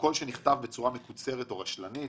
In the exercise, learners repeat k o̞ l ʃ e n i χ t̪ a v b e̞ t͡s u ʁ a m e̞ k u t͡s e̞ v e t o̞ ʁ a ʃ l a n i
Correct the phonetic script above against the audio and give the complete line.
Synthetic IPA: k o̞ l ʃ e n i χ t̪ a v b e̞ t͡s u ʁ a m e̞ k u t͡s e̞ ʁ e t o̞ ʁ a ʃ l a n i